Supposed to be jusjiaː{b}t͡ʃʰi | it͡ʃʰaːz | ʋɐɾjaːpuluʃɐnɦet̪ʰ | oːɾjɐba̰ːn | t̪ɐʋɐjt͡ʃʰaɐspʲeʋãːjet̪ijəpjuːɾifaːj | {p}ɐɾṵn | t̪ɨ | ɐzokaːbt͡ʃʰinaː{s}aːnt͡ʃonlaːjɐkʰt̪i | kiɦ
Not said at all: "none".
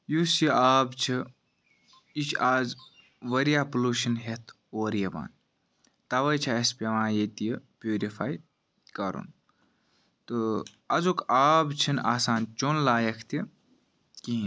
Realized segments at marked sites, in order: b, k, s

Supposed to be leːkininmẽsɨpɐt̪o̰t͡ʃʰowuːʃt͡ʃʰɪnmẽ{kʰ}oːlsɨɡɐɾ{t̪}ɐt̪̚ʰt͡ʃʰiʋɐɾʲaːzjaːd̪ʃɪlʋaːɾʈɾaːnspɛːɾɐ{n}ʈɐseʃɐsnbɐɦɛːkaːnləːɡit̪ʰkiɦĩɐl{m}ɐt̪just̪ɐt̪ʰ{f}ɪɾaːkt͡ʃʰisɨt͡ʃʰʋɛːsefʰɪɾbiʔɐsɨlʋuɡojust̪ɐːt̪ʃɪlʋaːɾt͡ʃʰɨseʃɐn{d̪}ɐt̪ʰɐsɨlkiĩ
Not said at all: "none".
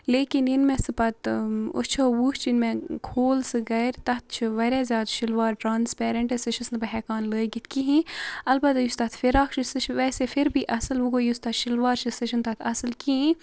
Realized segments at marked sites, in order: kʰ, t̪, ɳ, b, f, t̪

